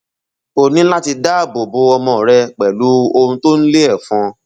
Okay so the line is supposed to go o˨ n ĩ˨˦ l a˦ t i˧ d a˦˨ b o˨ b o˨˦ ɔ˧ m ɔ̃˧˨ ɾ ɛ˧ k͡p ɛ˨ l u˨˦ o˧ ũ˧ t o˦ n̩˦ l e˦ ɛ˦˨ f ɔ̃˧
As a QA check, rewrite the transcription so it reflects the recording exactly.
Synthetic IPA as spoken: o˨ n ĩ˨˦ l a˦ t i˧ d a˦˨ b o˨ b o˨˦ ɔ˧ m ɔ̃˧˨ ɾ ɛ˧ k͡p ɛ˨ l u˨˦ o˧ ũ˧ t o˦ n̩˦ l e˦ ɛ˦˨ f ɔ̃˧